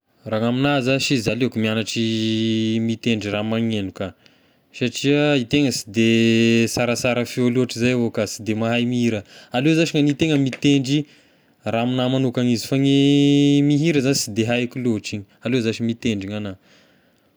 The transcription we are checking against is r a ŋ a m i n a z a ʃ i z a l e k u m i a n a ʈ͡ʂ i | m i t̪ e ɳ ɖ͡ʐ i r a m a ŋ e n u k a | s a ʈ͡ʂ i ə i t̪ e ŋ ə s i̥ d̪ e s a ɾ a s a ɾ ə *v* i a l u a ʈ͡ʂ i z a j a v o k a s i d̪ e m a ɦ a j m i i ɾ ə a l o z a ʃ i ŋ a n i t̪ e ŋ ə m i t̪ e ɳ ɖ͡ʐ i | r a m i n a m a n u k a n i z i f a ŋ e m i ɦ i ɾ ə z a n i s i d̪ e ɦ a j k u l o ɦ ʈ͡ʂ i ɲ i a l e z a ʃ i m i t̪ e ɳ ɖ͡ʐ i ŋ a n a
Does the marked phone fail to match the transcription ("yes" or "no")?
yes